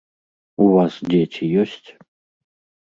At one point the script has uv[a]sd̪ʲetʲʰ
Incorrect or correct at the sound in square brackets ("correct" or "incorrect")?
correct